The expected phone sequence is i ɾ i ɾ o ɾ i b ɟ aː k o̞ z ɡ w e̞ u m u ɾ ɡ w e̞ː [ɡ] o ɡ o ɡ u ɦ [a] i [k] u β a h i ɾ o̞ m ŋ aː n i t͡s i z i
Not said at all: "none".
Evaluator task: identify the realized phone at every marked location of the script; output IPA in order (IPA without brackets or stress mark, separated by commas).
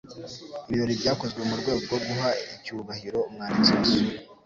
ɡ, a, c